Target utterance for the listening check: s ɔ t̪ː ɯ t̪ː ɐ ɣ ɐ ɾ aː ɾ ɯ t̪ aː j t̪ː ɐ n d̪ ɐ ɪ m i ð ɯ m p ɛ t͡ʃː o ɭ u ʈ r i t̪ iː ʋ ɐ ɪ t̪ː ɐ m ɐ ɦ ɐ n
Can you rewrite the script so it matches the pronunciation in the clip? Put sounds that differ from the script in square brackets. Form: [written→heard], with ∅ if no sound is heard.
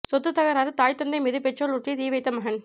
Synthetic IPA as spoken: s ɔ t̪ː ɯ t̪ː ɐ ɣ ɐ ɾ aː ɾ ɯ t̪ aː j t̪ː ɐ n d̪ ɐ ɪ m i ð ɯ [m→∅] p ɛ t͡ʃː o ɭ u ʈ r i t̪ iː ʋ ɐ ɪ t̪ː ɐ m ɐ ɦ ɐ n

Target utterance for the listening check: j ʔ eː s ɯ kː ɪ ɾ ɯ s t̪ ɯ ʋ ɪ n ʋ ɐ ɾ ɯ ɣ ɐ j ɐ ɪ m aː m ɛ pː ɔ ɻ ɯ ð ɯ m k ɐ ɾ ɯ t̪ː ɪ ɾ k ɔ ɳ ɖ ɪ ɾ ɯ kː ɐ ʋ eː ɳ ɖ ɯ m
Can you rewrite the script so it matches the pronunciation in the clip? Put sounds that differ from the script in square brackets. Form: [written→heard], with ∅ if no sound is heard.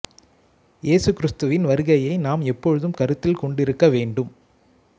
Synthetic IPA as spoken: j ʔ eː s ɯ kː ɪ ɾ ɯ s t̪ ɯ ʋ ɪ n ʋ ɐ ɾ ɯ ɣ ɐ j ɐ ɪ [m→n] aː m ɛ pː ɔ ɻ ɯ ð ɯ m k ɐ ɾ ɯ t̪ː ɪ [ɾ→l] k ɔ ɳ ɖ ɪ ɾ ɯ kː ɐ ʋ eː ɳ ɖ ɯ m

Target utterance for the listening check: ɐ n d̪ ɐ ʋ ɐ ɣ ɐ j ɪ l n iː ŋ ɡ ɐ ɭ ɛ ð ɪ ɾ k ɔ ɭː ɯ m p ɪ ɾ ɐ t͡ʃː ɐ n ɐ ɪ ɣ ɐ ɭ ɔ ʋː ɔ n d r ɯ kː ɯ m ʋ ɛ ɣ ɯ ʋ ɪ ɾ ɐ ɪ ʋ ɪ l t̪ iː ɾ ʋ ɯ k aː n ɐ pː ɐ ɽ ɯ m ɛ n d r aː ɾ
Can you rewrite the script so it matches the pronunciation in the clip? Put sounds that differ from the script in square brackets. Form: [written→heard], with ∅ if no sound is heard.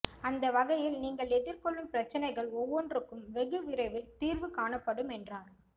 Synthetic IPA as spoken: ɐ n d̪ ɐ ʋ ɐ ɣ ɐ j ɪ l n iː ŋ ɡ ɐ ɭ ɛ ð ɪ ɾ k ɔ ɭː ɯ m p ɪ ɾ ɐ t͡ʃː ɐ n ɐ ɪ ɣ ɐ ɭ ɔ ʋː ɔ n d r ɯ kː ɯ m ʋ ɛ ɣ ɯ ʋ ɪ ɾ ɐ ɪ ʋ ɪ l t̪ iː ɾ ʋ ɯ k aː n ɐ pː ɐ ɽ ɯ m ɛ n d r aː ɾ

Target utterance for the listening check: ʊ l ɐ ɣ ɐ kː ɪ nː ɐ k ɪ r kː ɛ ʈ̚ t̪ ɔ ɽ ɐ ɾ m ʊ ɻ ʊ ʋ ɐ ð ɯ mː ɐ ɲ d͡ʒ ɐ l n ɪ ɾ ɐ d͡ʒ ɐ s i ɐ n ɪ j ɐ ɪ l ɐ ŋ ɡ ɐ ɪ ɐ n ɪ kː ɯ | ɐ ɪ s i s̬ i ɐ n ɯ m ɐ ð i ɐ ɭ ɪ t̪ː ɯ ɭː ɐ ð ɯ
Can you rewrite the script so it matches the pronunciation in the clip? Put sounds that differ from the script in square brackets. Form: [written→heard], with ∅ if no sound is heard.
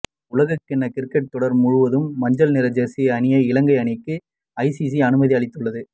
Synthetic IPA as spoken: ʊ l ɐ ɣ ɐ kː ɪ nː ɐ k ɪ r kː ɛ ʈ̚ t̪ ɔ ɽ ɐ ɾ m ʊ ɻ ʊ ʋ ɐ ð ɯ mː ɐ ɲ d͡ʒ ɐ l n ɪ ɾ ɐ d͡ʒ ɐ s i ɐ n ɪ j ɐ ɪ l ɐ ŋ ɡ ɐ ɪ ɐ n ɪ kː ɯ | ɐ ɪ s i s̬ i ɐ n ɯ m ɐ ð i ɐ ɭ ɪ t̪ː ɯ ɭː ɐ ð ɯ

